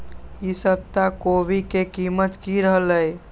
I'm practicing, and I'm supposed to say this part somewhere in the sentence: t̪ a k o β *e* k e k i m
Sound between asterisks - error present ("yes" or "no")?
yes